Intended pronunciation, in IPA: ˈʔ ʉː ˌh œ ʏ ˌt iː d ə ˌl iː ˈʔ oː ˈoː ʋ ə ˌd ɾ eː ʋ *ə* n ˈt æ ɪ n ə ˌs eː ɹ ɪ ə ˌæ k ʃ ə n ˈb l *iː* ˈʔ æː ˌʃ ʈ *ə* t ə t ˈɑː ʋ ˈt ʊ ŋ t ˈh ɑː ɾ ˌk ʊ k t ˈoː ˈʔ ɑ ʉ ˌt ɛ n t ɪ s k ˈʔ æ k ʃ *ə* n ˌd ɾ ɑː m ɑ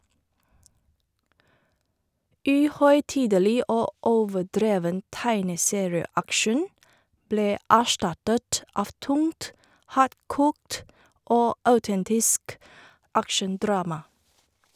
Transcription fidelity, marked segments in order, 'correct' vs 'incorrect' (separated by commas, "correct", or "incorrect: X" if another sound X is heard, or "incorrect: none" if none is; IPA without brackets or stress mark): correct, incorrect: eː, incorrect: ɑ, correct